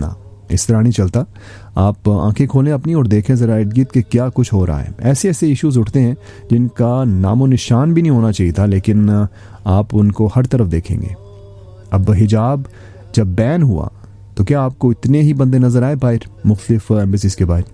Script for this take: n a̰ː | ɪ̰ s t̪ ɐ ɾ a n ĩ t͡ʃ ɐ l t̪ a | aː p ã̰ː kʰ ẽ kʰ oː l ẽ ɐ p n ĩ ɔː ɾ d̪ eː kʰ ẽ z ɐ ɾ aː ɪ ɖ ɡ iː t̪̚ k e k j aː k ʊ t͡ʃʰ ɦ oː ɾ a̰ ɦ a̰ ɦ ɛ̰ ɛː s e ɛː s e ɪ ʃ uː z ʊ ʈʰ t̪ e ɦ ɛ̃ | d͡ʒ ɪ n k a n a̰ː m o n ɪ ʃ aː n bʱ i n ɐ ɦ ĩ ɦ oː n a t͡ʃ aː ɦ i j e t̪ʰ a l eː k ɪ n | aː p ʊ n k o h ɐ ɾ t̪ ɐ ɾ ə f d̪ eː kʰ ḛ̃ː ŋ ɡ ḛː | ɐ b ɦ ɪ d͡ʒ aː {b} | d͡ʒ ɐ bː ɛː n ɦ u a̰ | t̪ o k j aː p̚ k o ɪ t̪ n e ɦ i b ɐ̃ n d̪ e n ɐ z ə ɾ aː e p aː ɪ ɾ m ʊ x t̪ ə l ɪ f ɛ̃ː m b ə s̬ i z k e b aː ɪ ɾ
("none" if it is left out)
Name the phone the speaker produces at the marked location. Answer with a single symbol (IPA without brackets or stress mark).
b